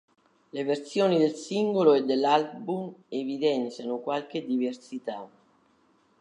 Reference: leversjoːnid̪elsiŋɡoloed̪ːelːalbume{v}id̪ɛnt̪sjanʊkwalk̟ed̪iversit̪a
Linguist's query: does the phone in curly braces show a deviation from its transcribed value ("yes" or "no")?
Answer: no